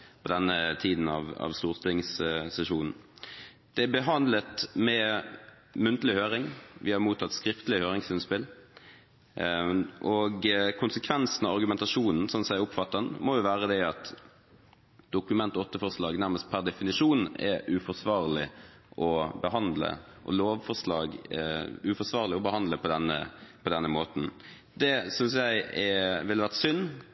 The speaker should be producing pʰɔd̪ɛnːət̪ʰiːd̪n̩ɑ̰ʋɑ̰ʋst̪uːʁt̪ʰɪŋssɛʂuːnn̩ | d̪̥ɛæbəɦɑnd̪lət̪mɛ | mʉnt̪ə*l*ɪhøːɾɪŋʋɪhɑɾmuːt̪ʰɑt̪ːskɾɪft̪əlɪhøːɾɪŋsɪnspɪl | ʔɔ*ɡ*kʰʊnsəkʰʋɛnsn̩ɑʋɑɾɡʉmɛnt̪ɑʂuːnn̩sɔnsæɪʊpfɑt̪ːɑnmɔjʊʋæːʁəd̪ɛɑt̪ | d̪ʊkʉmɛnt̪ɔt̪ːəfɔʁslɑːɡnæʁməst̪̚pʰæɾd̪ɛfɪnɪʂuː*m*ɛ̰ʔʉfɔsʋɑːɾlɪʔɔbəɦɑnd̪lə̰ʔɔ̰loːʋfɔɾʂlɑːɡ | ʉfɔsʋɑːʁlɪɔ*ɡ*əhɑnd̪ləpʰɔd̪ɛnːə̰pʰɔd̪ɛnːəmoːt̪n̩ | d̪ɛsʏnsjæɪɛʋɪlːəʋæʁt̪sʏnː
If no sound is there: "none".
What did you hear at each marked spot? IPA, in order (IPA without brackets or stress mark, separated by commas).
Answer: l, ɡ, n, b